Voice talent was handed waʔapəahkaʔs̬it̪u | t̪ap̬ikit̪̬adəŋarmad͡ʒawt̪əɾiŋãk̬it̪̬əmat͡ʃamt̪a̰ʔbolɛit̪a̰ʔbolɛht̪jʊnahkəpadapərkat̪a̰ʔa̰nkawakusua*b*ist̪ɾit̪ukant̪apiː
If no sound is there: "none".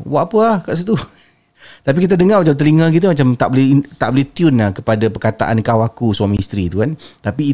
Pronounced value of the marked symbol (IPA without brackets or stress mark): m